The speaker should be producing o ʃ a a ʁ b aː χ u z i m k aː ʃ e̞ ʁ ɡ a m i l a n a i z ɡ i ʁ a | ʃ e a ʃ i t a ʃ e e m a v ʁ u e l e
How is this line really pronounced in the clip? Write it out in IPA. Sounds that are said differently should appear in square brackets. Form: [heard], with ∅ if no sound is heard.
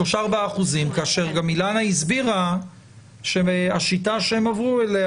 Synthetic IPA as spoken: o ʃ a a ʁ b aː χ u z i m k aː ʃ e̞ ʁ ɡ a m i l a n a i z [b] i ʁ a | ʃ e a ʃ i t a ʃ e e m a v ʁ u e l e